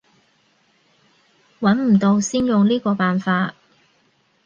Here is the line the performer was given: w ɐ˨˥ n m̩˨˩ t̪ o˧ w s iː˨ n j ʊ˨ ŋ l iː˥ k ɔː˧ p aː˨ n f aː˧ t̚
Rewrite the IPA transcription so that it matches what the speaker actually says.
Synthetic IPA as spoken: w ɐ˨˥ n m̩˨˩ t̪ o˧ w s iː˥ n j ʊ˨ ŋ l iː˥ k ɔː˧ p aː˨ n f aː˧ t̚